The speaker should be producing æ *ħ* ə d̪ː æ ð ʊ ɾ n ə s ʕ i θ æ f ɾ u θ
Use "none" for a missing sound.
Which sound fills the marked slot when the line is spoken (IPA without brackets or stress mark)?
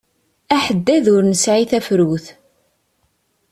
ħ